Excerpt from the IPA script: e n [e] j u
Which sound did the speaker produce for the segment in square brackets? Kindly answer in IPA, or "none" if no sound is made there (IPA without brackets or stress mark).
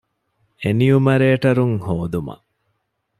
i